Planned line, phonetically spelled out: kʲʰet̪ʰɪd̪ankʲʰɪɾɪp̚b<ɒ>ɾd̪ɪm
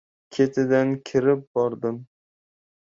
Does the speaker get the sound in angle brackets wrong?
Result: no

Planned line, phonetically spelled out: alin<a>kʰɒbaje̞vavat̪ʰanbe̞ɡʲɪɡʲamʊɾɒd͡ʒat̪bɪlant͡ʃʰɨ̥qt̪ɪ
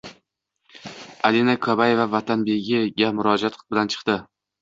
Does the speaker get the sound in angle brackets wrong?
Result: no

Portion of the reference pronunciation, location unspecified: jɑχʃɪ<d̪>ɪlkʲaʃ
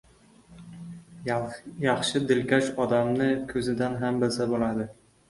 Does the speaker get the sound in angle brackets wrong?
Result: no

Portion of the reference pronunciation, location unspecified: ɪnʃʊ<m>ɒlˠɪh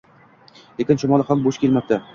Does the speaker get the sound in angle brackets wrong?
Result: no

